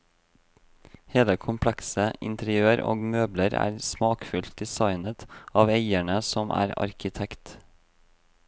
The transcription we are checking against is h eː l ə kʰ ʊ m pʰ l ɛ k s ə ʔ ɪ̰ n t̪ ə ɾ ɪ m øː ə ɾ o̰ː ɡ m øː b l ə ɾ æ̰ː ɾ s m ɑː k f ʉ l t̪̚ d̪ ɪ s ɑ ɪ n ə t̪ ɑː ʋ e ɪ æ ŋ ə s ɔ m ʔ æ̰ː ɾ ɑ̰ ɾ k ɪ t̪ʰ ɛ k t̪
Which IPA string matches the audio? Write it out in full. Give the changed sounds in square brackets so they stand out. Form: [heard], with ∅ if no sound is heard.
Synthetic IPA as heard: h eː l ə kʰ ʊ m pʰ l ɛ k s ə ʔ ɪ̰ n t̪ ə ɾ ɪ [∅] øː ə ɾ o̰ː ɡ m øː b l ə ɾ æ̰ː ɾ s m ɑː k f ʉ l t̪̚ d̪ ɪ s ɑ ɪ n ə t̪ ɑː ʋ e ɪ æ [ɳ] ə s ɔ m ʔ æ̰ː ɾ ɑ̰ ɾ k ɪ t̪ʰ ɛ k t̪